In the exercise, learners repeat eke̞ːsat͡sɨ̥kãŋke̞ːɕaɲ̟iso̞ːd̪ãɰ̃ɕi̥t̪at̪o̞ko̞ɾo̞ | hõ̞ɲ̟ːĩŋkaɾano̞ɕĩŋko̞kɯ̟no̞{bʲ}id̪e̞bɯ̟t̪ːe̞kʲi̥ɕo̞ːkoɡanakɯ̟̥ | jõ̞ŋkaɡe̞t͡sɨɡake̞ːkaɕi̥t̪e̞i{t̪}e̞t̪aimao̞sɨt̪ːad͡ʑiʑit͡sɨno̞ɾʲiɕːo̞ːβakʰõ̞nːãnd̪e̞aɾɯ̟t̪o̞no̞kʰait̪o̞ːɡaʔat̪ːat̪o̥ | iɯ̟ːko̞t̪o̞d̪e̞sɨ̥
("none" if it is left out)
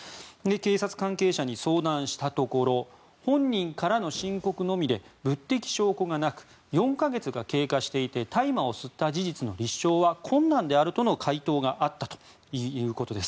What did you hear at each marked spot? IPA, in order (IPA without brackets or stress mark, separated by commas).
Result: mʲ, t̪